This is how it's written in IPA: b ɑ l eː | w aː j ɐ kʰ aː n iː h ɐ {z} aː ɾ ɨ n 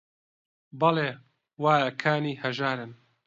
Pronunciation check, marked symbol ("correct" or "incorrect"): incorrect